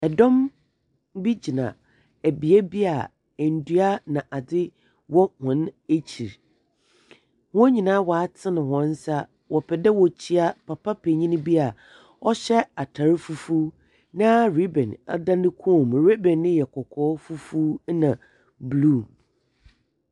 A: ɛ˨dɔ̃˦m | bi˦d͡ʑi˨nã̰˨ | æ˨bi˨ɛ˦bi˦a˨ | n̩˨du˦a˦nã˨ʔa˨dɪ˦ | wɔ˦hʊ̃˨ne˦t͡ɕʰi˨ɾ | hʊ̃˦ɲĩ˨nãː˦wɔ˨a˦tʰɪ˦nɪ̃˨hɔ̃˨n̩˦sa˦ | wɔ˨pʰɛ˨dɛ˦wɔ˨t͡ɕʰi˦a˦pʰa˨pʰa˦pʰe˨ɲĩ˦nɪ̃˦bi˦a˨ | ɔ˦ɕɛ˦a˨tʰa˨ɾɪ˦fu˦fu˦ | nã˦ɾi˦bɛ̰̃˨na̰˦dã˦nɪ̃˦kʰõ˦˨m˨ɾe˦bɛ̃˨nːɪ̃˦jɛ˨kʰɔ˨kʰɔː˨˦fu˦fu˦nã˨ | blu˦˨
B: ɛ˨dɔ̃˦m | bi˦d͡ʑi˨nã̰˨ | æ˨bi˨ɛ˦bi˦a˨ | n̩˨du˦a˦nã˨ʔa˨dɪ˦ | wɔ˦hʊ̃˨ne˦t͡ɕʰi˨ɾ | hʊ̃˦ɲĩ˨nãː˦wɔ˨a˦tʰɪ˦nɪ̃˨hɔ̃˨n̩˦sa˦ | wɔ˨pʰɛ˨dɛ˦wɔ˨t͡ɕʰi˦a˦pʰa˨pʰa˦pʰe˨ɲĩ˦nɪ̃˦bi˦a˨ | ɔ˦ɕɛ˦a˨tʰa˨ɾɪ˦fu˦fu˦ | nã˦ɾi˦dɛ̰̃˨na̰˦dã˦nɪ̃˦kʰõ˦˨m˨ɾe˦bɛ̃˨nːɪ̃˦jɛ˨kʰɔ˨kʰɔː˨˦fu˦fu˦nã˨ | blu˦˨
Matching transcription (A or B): A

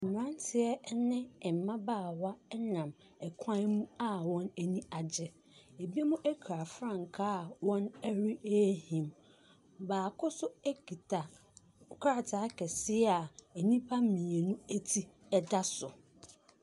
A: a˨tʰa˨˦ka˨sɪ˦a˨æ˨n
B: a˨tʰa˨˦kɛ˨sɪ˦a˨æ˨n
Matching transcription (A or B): B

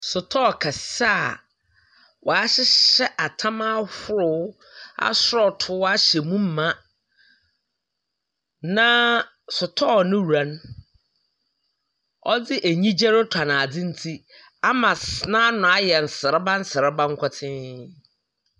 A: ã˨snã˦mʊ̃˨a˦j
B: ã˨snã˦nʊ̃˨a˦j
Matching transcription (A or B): B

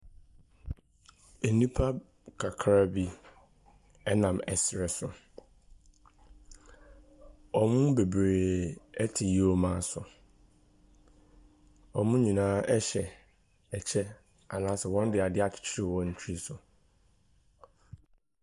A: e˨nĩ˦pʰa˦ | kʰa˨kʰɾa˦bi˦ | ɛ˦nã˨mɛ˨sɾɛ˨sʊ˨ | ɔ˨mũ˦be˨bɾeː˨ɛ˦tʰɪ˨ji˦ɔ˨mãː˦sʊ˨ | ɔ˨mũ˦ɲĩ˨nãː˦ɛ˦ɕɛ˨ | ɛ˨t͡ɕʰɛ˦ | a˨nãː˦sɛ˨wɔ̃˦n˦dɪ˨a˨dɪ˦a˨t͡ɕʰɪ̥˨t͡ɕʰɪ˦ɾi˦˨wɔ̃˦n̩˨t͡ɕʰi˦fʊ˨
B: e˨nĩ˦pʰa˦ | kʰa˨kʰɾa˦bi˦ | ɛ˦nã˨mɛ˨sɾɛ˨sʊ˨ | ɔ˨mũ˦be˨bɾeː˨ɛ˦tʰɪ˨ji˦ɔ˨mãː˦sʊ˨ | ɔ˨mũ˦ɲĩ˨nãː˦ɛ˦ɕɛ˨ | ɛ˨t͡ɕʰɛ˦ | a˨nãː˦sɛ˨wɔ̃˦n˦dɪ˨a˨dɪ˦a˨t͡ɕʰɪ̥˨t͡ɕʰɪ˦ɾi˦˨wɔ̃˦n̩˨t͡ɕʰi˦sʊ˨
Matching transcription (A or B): B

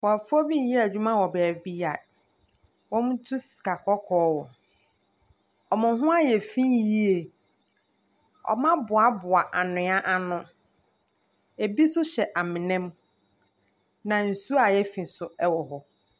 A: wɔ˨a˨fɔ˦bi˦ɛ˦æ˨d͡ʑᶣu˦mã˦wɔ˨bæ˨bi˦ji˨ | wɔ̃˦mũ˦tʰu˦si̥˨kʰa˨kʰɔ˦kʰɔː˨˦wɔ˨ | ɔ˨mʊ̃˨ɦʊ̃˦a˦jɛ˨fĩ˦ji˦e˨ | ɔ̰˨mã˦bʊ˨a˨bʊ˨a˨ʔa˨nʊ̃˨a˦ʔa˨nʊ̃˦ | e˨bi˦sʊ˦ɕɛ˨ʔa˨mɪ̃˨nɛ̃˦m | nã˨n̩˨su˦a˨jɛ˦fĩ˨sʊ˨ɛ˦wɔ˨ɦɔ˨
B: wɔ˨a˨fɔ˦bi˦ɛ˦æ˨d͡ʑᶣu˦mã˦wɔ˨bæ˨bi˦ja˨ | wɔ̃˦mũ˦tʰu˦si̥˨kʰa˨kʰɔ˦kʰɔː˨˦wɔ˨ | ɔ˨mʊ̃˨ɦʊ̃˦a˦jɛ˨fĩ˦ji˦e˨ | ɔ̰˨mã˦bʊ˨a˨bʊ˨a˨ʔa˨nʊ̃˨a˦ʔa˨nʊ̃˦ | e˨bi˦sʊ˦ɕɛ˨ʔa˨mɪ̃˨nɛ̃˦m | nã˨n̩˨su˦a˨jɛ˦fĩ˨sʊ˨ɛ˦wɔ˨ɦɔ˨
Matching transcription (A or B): B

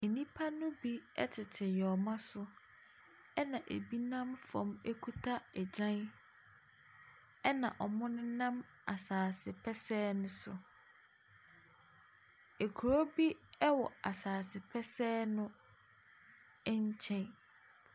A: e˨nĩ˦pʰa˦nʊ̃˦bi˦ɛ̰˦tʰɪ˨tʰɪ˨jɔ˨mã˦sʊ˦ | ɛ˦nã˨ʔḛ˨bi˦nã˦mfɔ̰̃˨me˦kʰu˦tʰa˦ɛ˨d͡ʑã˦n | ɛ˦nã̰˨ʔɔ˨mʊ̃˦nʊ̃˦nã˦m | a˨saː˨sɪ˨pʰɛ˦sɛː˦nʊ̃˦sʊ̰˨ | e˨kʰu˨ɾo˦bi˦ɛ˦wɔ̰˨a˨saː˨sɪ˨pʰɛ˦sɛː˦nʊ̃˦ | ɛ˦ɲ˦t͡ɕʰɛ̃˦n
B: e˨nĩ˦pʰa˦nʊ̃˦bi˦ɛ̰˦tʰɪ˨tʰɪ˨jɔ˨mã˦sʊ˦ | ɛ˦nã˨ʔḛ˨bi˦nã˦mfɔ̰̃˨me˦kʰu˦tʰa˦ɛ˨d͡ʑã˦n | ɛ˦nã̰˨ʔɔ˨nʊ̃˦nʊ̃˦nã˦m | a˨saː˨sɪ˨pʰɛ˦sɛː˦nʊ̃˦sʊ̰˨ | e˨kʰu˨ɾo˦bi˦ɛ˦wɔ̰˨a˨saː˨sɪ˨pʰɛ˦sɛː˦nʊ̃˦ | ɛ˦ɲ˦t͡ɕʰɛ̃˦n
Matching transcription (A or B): A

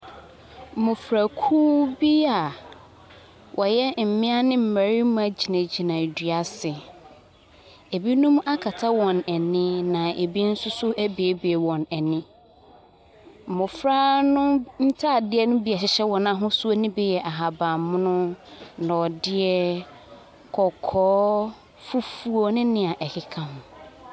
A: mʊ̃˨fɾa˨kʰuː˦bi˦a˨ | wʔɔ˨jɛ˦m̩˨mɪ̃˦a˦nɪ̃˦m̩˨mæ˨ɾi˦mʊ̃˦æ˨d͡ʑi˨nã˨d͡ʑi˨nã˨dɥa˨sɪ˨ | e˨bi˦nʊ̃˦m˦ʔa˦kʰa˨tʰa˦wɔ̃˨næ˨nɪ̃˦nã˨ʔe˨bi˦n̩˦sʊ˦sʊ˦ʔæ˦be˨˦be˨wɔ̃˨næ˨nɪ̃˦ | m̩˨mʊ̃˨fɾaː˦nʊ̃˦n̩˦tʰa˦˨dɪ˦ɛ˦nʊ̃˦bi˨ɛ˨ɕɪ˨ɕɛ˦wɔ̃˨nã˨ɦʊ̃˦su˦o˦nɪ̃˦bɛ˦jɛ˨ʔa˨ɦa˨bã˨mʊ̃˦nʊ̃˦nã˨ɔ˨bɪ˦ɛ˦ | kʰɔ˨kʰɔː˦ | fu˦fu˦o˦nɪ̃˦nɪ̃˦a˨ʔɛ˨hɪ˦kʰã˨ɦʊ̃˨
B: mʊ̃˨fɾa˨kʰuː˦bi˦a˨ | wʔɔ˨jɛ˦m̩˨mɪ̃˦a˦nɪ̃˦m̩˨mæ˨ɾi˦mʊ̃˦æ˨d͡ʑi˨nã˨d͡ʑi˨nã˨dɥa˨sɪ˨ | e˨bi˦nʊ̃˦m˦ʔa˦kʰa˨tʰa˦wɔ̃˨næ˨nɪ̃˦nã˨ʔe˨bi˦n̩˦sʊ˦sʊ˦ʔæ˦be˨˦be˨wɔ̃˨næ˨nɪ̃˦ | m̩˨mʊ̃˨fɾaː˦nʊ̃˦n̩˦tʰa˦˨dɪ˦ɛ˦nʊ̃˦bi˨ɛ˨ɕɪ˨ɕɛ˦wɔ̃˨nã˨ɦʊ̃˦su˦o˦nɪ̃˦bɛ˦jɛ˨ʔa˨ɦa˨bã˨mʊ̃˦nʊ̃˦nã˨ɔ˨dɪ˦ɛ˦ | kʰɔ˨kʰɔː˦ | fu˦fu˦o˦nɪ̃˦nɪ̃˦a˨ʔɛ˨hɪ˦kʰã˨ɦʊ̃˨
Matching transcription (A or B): B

